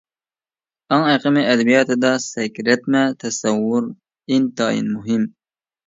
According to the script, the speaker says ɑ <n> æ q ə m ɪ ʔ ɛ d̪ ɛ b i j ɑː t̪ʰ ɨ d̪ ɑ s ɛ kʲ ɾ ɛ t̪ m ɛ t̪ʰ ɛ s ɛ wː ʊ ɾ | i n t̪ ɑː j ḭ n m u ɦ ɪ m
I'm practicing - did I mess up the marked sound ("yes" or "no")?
yes